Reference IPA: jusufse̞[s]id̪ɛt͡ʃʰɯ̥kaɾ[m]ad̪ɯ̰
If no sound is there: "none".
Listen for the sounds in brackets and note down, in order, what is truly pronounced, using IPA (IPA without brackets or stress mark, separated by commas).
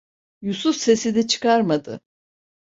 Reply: s, m